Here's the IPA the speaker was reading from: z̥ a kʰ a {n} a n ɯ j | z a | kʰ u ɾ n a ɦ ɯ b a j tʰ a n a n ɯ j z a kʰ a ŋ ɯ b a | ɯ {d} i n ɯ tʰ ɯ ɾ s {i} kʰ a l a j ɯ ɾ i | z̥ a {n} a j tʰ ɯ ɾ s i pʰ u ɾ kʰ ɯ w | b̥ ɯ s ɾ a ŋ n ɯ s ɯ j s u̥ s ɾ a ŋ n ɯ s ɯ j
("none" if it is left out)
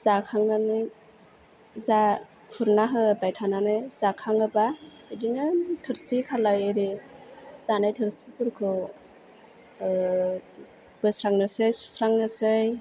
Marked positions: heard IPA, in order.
ŋ, d, i, n

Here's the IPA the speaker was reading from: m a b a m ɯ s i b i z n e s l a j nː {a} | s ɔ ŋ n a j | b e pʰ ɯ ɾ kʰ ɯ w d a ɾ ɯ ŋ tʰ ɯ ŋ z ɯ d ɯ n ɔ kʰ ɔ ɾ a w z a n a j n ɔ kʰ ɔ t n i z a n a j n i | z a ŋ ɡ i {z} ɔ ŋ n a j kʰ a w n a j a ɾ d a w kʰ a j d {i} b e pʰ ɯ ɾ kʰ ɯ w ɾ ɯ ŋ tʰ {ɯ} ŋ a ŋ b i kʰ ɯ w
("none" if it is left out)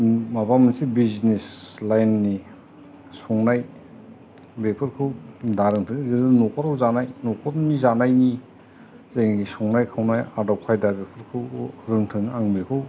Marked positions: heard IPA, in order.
i, s, a, ɯ

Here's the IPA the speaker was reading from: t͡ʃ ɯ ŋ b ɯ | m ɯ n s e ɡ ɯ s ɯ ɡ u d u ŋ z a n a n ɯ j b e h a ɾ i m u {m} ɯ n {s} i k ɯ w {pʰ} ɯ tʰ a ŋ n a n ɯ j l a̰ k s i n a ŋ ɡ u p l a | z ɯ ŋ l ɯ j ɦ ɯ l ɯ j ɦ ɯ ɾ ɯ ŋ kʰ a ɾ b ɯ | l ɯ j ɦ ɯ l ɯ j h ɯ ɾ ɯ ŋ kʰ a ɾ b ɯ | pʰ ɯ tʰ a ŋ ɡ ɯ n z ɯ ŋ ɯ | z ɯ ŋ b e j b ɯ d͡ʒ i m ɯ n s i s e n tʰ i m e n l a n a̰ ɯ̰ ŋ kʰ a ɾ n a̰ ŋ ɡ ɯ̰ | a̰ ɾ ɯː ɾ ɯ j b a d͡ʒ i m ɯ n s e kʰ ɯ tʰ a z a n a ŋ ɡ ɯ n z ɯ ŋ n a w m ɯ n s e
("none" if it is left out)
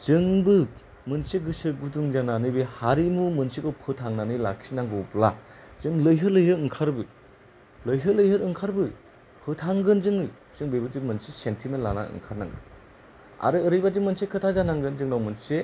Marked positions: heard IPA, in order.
m, s, pʰ

